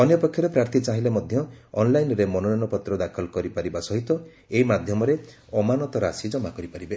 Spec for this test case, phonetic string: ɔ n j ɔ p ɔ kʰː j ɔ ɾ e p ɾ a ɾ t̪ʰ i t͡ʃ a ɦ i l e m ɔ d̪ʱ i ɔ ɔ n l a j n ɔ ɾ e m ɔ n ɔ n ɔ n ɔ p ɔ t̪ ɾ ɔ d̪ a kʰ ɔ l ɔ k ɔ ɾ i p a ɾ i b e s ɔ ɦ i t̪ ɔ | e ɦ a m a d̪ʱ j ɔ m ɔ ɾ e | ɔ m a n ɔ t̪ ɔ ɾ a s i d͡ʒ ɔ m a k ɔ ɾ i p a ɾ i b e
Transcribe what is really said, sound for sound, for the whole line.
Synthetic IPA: ɔ n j ɔ p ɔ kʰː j ɔ ɾ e p ɾ a ɾ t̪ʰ i t͡ʃ a ɦ i l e m ɔ d̪ʱ j ɔ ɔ n l a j n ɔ ɾ e m ɔ n ɔ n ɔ n ɔ p ɔ t̪ ɾ ɔ d̪ a kʰ ɔ l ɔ k ɔ ɾ i p a ɾ i b a s ɔ ɦ i t̪ ɔ | e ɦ i m a d̪ʱ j ɔ m ɔ ɾ e | ɔ m a n ɔ t̪ ɔ ɾ a s i d͡ʒ ɔ m a k ɔ ɾ i p a ɾ i b e